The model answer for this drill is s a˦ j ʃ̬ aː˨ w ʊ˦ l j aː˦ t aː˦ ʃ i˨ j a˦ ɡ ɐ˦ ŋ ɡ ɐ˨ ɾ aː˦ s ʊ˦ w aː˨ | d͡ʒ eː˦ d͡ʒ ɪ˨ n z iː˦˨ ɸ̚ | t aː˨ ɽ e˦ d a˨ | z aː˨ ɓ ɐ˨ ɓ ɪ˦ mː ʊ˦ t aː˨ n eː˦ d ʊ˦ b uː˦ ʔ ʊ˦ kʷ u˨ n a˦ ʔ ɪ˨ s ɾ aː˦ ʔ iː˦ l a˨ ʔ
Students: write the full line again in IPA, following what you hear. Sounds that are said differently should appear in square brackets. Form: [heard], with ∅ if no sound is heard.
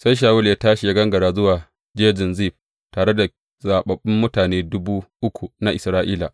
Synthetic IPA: s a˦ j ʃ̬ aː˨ w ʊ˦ l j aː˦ t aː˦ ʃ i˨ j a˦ ɡ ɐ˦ ŋ ɡ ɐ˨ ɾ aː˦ [z] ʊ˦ w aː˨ | d͡ʒ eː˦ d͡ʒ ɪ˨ n z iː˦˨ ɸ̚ | t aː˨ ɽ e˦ d a˨ | z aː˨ ɓ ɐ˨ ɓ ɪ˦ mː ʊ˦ t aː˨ n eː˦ d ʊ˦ b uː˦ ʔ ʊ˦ kʷ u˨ n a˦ ʔ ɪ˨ s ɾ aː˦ ʔ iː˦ l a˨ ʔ